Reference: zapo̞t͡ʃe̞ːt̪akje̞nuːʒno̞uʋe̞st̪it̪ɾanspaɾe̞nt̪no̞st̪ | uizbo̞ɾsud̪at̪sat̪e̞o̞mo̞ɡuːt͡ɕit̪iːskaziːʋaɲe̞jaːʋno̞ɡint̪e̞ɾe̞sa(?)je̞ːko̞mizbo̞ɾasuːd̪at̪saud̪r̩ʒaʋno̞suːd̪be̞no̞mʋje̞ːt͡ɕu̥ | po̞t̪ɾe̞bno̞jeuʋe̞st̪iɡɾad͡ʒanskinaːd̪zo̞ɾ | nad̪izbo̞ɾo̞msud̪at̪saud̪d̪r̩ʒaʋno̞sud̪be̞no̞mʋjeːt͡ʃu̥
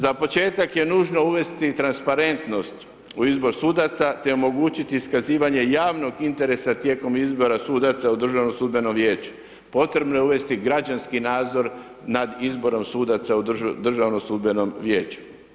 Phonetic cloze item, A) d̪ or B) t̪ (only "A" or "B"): B